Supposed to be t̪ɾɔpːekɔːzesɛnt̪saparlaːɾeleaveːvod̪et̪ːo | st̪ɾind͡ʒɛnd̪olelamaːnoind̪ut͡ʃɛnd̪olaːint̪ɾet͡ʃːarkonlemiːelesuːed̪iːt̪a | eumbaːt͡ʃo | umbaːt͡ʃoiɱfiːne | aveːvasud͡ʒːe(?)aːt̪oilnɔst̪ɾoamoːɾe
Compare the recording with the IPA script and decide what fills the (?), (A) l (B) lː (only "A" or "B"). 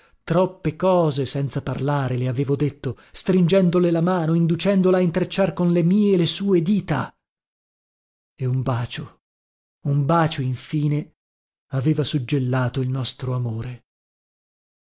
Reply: B